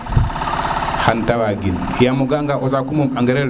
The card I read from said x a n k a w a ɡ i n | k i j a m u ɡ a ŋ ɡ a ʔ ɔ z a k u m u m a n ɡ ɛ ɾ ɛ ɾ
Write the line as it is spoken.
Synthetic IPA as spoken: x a n t a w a ɡ i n | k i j a m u ɡ a ŋ ɡ a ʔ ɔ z a k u m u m a ŋ ɡ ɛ ɾ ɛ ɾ